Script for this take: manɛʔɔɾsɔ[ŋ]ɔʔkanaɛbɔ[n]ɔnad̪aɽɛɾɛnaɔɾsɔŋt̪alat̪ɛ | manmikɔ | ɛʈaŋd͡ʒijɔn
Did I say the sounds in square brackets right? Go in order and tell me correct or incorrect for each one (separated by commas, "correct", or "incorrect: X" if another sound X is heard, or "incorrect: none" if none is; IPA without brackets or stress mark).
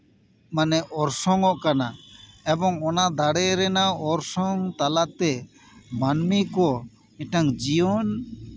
correct, incorrect: ŋ